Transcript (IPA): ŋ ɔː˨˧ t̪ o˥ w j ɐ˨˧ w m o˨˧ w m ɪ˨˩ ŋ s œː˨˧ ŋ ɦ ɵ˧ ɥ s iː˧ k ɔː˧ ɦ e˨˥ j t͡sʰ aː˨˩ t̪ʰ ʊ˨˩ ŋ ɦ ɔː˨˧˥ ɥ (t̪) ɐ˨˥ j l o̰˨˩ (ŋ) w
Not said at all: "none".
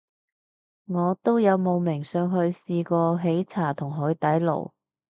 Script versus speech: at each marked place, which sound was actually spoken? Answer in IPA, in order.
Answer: t̪, none

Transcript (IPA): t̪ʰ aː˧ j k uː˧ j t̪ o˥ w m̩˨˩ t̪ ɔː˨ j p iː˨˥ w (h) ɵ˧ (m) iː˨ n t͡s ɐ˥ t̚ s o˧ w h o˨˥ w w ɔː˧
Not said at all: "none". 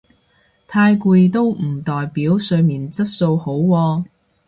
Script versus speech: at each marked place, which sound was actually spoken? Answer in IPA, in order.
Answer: s, m

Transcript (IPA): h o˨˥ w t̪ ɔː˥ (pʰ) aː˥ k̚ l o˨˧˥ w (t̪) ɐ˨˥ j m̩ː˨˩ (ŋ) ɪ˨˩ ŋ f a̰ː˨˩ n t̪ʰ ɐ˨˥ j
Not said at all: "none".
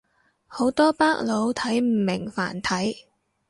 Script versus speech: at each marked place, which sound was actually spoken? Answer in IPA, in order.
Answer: p, t̪ʰ, m

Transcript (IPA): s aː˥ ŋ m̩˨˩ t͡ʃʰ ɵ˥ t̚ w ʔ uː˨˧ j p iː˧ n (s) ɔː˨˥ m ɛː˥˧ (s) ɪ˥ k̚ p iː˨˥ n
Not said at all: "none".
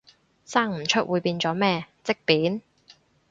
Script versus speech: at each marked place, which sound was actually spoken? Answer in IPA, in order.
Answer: t͡s, t͡s

